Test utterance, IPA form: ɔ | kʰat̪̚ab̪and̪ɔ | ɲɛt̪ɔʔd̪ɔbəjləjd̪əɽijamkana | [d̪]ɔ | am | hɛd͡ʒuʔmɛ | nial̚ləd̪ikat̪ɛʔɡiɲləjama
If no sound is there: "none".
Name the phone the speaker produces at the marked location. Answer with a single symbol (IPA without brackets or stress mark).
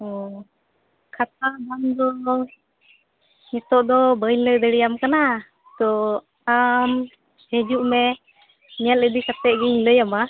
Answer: t̪